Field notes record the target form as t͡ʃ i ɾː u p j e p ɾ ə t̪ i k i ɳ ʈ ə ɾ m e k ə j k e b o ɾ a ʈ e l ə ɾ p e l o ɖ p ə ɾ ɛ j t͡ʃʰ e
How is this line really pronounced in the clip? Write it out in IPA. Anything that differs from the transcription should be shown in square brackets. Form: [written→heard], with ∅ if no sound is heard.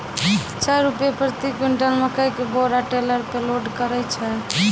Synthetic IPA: t͡ʃ [i→a] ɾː u p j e p ɾ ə t̪ i k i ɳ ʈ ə [ɾ→l] m e k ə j k e b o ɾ a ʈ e l ə ɾ p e l o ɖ [p→k] ə ɾ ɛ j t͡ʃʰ [e→ɛ]